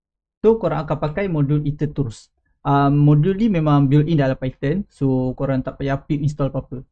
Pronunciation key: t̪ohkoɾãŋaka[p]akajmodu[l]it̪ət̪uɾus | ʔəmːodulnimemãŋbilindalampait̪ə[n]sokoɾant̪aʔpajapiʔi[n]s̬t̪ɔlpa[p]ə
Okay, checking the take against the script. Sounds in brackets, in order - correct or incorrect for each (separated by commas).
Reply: correct, correct, correct, correct, correct